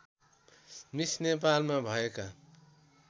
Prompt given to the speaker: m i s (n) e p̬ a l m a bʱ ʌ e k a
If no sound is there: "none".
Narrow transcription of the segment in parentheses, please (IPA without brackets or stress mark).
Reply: n